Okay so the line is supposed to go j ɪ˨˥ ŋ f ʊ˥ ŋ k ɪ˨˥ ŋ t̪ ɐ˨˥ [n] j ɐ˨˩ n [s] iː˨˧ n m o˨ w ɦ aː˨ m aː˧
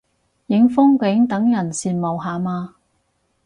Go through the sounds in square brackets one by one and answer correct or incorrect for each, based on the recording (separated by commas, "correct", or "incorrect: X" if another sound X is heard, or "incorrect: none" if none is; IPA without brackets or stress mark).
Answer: incorrect: ŋ, correct